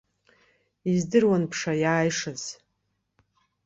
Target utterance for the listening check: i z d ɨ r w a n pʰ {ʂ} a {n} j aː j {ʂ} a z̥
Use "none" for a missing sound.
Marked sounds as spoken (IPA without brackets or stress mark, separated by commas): ʂ, none, ʂ